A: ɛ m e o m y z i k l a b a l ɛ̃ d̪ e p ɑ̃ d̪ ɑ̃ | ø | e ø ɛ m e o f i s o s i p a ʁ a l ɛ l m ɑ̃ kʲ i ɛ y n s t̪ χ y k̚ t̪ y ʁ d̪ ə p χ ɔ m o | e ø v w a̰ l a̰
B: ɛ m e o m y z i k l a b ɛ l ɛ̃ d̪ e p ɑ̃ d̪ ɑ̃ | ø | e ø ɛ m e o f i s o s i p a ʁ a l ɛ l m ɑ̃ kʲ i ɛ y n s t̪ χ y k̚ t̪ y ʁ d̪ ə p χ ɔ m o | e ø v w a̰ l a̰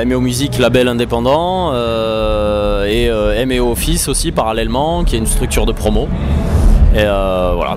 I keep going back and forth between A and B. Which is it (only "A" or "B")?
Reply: B